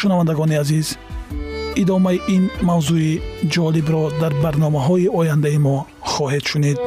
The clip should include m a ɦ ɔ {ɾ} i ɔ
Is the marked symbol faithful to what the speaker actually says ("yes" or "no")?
no